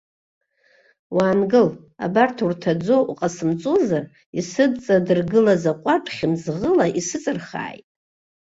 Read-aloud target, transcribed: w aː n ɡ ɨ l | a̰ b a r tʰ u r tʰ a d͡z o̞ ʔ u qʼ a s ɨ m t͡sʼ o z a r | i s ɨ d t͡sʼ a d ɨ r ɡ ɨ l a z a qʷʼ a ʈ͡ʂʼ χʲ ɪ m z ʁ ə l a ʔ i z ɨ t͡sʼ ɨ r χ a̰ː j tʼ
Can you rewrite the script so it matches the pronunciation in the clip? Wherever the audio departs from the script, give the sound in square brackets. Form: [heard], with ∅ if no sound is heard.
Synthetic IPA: w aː n ɡ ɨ l | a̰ b a r tʰ u r tʰ a d͡z o̞ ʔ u qʼ a s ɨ m t͡sʼ o z a r | i s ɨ d t͡sʼ a d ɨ r ɡ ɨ l a z a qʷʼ a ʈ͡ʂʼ χʲ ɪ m z ʁ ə l a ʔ i [s] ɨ t͡sʼ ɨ r χ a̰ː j tʼ